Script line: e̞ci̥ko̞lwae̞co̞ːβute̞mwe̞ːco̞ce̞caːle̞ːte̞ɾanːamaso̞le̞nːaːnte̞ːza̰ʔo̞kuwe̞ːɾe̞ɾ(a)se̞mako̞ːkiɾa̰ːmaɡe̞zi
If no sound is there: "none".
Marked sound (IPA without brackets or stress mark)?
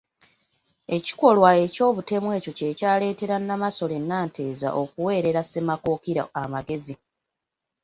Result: a